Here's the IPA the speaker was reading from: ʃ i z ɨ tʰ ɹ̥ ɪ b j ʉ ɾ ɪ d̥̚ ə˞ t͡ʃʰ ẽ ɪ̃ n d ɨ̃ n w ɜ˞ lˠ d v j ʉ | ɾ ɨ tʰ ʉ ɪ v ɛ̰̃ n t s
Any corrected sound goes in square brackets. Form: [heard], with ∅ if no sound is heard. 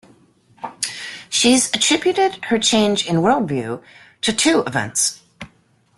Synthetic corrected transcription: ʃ i z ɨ tʰ ɹ̥ ɪ b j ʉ ɾ ɪ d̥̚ ə˞ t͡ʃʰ ẽ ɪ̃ n [d͡ʒ] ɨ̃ n w ɜ˞ lˠ d v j ʉ | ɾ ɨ tʰ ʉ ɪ v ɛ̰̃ n t s